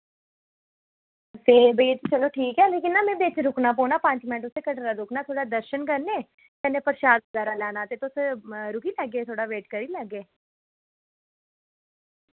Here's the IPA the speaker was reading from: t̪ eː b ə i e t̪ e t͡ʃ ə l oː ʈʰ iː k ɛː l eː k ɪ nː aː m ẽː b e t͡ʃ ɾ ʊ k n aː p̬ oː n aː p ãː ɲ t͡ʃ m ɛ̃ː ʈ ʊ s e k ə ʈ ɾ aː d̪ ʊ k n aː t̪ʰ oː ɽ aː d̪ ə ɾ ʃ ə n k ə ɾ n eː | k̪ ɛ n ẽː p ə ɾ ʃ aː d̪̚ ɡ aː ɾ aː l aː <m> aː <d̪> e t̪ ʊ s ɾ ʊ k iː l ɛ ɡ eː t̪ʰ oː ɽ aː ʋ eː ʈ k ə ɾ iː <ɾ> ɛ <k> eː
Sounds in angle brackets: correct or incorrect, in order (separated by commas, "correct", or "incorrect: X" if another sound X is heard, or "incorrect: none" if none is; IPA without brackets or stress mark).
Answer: incorrect: n, incorrect: t̪, incorrect: l, incorrect: ɡ